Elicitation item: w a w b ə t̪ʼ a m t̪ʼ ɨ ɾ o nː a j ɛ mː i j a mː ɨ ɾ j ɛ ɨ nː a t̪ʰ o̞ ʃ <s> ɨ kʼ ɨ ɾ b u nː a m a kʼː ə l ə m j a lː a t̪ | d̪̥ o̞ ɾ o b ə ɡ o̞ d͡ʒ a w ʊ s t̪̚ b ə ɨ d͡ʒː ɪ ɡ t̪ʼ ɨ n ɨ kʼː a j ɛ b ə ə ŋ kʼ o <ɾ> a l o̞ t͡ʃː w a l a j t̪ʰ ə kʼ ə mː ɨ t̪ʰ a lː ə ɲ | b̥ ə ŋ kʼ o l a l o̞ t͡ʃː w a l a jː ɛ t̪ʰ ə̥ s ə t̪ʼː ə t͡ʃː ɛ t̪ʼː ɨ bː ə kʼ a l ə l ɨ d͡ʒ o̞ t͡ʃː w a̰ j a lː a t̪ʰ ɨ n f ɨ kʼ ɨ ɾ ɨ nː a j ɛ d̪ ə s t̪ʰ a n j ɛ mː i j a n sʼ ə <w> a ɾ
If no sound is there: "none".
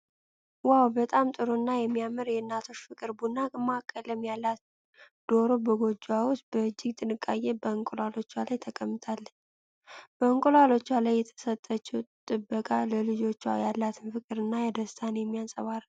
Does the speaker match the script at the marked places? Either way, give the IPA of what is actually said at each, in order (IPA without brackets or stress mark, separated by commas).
f, l, β